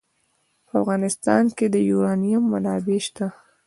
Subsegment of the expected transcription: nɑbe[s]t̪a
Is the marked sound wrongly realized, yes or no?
yes